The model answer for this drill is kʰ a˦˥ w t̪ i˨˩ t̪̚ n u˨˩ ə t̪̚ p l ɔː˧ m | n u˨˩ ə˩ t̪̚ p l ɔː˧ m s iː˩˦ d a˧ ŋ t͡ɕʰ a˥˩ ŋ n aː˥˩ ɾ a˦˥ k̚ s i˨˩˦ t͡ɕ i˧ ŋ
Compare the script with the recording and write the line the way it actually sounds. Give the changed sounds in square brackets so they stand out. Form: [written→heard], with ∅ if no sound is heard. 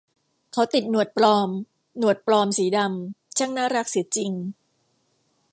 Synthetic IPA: kʰ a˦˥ w t̪ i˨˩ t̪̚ n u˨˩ ə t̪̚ p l ɔː˧ m | n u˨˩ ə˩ t̪̚ p l ɔː˧ m s iː˩˦ d a˧ [ŋ→m] t͡ɕʰ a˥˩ ŋ n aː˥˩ ɾ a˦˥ k̚ s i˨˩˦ t͡ɕ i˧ ŋ